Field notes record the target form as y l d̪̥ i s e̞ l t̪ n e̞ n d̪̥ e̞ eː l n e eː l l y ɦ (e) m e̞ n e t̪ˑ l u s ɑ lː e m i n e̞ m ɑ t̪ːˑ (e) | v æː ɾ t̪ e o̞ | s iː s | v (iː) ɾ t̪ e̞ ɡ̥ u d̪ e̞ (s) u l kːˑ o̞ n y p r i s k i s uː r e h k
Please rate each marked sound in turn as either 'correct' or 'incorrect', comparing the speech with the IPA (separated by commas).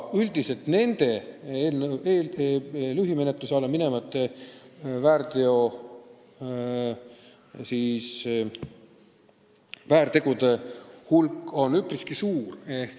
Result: incorrect, correct, incorrect, incorrect